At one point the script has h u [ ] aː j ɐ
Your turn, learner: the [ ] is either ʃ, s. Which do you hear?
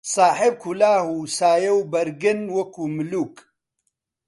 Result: s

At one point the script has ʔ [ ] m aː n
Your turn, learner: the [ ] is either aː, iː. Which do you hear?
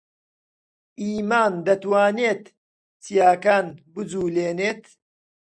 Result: iː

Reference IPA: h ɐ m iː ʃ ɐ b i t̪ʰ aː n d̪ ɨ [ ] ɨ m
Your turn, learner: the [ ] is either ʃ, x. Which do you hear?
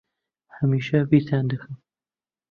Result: x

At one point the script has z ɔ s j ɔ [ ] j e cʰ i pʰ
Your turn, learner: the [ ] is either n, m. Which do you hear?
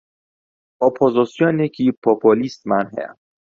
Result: n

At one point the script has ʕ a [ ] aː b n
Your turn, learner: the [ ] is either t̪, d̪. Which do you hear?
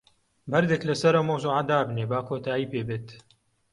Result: d̪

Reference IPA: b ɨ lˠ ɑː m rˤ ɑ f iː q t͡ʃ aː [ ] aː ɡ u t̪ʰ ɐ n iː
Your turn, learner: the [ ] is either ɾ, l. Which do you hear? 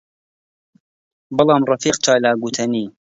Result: l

